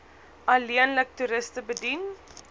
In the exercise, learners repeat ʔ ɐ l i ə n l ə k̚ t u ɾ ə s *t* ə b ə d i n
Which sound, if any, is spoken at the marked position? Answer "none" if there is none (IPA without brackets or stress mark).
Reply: t